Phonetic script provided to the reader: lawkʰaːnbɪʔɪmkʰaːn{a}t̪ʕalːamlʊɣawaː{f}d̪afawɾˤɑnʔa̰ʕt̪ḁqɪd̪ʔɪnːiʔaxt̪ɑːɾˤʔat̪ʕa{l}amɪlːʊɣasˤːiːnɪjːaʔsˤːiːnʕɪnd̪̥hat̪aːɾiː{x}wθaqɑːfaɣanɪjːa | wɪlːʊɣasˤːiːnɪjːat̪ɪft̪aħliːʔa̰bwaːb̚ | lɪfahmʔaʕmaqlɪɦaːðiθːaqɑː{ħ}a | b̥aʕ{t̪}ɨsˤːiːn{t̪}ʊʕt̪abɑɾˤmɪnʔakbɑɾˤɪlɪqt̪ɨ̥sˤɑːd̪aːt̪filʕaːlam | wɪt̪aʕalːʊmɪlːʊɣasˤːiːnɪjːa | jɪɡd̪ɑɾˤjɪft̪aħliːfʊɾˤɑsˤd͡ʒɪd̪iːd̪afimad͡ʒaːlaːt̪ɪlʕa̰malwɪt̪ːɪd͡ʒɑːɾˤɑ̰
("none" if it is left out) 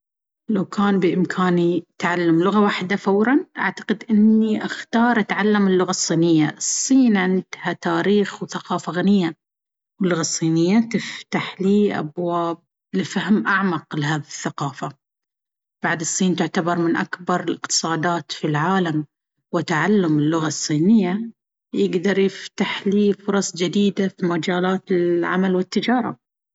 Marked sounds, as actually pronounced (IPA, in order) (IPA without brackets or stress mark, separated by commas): i, ħ, lː, x, f, d̪, t̪